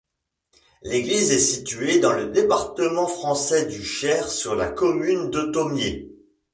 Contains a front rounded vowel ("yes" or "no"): yes